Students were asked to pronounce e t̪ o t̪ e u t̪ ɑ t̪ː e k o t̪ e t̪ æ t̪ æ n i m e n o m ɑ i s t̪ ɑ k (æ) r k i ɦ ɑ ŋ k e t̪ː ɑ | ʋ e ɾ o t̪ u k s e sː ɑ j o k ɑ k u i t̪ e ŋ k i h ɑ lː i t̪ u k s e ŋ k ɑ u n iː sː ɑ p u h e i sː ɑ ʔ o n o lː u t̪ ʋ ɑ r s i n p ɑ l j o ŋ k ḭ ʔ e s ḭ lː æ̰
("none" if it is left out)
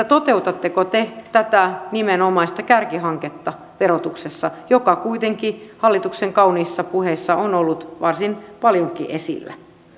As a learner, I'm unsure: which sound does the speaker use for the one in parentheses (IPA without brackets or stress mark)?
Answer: æ